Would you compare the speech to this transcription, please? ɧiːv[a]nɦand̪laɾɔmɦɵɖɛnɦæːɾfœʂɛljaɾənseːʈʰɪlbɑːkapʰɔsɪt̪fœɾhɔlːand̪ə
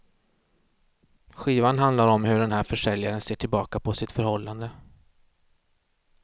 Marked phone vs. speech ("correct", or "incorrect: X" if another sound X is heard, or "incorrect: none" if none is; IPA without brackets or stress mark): correct